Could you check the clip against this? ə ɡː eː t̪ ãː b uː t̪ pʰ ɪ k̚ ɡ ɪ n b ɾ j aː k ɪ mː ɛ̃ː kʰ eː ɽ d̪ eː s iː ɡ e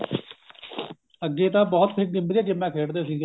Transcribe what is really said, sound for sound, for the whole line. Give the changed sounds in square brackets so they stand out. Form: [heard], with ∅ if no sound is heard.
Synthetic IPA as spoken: ə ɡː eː t̪ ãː b [ɔː] t̪ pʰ ɪ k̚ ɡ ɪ [m] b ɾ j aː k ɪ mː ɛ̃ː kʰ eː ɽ d̪ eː s iː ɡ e